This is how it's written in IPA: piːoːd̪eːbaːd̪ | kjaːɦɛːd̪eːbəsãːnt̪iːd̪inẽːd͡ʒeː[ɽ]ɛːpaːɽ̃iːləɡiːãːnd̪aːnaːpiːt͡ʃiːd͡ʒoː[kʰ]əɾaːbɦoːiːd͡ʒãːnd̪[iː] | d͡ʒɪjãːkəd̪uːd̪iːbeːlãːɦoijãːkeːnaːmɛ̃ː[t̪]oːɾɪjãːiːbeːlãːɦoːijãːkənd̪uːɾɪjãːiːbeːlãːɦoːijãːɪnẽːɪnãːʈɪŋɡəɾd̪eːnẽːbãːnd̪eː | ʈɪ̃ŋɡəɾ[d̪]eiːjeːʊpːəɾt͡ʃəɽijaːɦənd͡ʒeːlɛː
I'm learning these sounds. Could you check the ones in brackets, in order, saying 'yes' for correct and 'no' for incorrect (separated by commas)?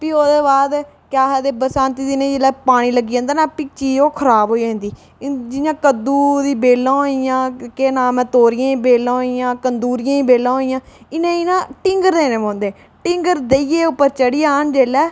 no, yes, yes, yes, yes